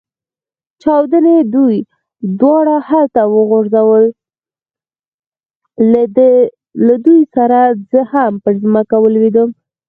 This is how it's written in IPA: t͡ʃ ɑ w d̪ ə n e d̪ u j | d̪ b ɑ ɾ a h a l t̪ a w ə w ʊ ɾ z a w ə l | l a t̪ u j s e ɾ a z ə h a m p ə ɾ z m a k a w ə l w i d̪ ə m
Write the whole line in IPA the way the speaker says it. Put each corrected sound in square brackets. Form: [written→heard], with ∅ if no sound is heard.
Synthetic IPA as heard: t͡ʃ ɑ w d̪ ə n e d̪ u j | d̪ [b→w] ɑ [ɾ→ɽ] a h a l t̪ a w ə [w→ɣ] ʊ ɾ z a w ə l | l a [t̪→d̪] u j s [e→a] ɾ a z ə h a m p ə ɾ z m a k a w ə l w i d̪ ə m